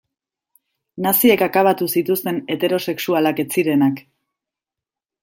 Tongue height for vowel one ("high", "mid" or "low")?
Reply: low